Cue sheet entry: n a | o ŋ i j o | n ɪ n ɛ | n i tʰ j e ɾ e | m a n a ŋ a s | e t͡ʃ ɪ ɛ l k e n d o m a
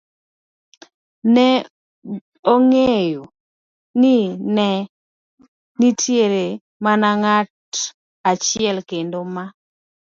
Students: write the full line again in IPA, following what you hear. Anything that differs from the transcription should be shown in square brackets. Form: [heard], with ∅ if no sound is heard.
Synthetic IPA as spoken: n [ɛ] | o ŋ [e] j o | n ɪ n ɛ | n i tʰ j e ɾ e | m a n a ŋ a [t] | [a] t͡ʃ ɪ ɛ l k e n d o m a